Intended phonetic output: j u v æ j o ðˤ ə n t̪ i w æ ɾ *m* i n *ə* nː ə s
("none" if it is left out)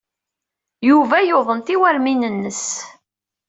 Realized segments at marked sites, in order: m, ə

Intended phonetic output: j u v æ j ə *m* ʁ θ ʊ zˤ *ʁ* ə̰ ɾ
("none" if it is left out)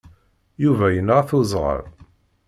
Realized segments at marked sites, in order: n, ʁ

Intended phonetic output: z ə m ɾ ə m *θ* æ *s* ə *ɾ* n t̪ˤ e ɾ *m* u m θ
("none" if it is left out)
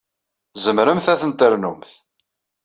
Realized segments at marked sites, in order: θ, θ, none, n

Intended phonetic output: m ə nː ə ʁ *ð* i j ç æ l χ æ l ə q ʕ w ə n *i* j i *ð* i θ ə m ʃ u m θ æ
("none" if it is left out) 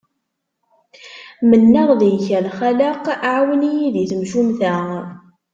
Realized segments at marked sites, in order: ð, i, ð

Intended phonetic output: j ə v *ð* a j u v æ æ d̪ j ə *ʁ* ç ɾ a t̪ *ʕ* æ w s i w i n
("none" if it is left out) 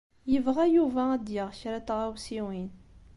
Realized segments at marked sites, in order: ʁ, ʁ, ʁ

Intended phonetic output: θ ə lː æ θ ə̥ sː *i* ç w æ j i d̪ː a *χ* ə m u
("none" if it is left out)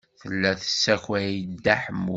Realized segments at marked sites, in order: æ, ħ

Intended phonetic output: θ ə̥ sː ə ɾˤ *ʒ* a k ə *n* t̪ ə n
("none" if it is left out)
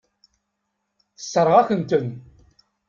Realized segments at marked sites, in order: ʁ, n

